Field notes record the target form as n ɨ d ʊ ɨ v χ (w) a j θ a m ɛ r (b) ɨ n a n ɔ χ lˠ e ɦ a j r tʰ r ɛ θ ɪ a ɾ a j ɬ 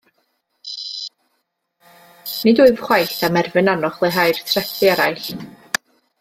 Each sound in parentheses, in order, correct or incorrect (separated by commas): correct, incorrect